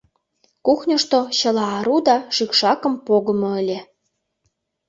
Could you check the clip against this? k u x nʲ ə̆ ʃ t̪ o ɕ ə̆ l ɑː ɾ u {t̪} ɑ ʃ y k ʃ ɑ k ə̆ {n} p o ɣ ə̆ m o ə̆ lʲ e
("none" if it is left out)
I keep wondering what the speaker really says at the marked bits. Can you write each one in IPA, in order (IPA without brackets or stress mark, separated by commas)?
d̪, m